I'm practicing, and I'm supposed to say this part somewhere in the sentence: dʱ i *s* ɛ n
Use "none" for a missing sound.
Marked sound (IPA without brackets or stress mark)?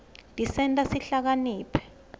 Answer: s